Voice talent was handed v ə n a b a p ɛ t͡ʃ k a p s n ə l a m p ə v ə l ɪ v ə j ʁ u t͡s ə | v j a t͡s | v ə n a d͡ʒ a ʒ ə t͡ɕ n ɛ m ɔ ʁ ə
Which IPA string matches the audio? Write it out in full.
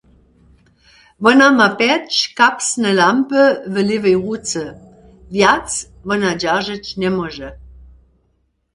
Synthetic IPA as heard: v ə n a m a p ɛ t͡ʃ k a p s n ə l a m p ə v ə l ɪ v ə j ʁ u t͡s ə | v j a t͡s | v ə n a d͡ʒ a ʒ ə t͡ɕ n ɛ m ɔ ʒ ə